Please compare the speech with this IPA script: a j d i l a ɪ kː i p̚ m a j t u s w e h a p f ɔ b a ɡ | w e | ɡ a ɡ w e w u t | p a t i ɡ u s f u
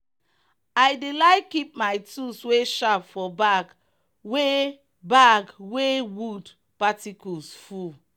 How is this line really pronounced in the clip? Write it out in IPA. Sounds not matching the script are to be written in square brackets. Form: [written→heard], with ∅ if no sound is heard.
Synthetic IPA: a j d [i→e] l a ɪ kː i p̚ m a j t u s w e [h→ʃ] a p f ɔ b a ɡ | w e | [ɡ→b] a ɡ w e w u [t→d] | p a t i [ɡ→k] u s f u